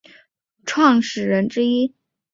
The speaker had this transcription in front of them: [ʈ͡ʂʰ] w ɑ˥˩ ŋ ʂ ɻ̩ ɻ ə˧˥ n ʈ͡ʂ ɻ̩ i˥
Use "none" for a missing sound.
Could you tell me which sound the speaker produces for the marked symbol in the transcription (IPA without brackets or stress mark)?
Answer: ʈ͡ʂʰ